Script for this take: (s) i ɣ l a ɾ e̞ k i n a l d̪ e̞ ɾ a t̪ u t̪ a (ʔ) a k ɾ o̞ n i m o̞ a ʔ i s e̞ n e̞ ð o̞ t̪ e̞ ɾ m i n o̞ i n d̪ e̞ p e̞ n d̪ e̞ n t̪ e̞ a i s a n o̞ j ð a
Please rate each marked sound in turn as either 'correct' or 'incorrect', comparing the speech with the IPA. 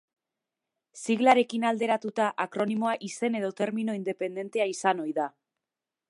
correct, correct

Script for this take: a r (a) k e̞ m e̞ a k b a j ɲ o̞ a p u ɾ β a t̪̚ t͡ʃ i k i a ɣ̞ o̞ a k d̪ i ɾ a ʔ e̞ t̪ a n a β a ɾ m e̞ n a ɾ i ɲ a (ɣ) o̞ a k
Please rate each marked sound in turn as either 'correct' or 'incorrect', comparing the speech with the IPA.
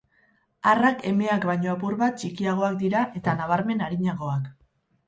correct, correct

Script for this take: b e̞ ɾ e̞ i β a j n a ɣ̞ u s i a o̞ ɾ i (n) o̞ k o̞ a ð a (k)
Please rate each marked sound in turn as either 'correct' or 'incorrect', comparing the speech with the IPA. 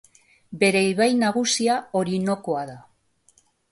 correct, incorrect

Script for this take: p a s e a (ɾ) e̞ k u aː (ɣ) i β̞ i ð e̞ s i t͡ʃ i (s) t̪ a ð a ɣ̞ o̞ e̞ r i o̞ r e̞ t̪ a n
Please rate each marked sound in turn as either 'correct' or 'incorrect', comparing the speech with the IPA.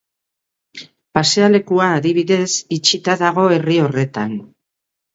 incorrect, incorrect, incorrect

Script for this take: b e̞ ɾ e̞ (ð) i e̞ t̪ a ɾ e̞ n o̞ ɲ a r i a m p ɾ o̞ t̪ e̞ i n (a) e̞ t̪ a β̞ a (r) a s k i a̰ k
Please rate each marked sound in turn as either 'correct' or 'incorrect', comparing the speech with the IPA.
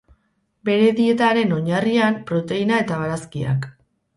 correct, correct, incorrect

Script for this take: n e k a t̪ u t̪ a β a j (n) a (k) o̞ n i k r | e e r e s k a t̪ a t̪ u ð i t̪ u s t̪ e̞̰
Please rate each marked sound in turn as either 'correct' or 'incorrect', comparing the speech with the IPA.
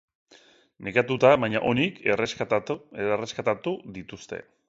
incorrect, incorrect

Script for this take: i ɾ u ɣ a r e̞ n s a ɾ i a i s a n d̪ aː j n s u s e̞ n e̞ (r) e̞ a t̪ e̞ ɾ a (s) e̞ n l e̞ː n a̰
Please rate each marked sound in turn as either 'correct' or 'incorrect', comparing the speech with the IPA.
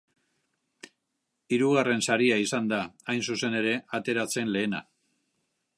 incorrect, incorrect

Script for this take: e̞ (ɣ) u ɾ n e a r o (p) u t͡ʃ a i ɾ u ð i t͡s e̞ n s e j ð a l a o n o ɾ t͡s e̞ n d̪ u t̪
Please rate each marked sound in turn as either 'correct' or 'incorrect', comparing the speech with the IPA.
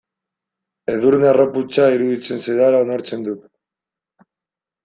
incorrect, correct

